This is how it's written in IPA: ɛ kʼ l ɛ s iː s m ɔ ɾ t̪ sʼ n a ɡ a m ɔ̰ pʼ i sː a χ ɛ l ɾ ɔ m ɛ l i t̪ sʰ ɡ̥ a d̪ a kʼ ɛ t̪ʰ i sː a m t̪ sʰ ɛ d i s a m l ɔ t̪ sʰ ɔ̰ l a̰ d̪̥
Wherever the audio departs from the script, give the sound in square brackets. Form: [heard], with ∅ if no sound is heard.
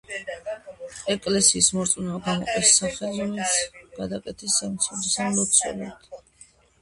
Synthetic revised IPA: ɛ kʼ l ɛ s iː s m ɔ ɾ t̪ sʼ n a ɡ a m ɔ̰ [qʼ] i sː a χ ɛ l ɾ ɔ m ɛ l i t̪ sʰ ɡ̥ a d̪ a kʼ ɛ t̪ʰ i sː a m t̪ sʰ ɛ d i s a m l ɔ t̪ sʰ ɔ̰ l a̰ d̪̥